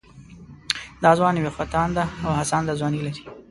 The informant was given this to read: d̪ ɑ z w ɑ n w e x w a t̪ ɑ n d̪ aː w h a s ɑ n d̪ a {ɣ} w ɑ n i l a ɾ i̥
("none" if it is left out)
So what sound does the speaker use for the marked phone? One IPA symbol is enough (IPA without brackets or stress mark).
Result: z